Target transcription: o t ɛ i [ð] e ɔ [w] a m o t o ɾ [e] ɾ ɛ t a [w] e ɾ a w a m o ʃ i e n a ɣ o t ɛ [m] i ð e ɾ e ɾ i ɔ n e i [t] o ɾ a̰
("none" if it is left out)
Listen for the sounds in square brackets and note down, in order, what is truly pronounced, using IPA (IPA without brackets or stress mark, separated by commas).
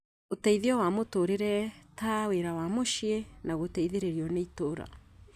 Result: ð, w, e, w, none, t